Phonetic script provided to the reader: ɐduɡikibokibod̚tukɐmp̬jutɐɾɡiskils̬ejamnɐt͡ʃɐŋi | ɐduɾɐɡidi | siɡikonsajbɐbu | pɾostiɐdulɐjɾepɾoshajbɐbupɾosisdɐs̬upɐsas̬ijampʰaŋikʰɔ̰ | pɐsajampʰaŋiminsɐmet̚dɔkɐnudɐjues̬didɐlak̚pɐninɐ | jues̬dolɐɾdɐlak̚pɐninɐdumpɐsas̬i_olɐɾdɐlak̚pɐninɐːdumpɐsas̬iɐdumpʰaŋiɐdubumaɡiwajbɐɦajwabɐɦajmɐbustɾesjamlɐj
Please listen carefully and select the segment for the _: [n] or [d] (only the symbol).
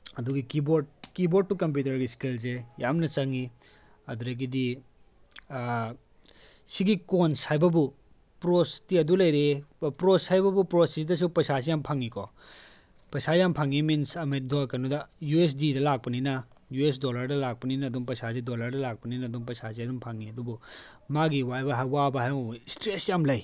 d